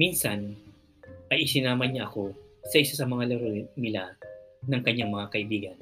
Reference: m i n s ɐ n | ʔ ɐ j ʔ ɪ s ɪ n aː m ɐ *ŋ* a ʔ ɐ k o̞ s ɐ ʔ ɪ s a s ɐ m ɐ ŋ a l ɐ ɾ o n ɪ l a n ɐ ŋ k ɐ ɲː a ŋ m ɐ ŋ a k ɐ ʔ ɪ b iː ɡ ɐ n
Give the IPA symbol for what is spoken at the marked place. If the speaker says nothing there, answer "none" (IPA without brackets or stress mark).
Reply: ɲ